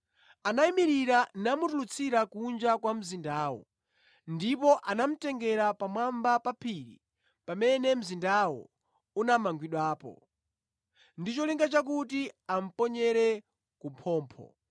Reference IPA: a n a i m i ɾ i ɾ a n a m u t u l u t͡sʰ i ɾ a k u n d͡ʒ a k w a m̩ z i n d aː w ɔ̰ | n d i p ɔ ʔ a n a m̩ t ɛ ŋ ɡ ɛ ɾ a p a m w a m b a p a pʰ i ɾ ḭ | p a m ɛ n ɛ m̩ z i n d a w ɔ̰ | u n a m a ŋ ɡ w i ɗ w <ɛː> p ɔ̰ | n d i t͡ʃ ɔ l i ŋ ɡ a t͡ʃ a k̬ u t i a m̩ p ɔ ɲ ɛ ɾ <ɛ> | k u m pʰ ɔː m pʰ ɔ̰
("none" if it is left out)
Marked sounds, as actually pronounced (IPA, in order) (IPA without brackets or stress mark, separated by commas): aː, ɛ